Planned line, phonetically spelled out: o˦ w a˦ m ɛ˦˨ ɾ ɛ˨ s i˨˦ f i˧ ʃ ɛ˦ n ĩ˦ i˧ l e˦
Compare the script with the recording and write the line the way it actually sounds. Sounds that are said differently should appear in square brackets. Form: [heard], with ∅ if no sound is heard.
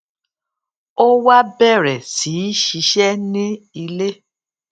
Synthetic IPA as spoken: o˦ w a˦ [b] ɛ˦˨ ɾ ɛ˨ s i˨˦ [ʃ] i˧ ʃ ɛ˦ n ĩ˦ i˧ l e˦